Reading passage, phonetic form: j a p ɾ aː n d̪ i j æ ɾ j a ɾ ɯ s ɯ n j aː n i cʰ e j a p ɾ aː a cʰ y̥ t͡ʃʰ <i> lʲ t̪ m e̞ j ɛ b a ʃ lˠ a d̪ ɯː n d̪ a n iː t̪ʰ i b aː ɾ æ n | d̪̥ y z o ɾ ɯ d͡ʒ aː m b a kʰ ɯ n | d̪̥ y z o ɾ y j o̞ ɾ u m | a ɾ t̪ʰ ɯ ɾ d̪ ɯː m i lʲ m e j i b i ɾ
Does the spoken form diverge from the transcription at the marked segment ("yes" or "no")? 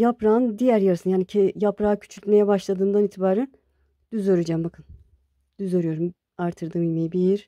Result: yes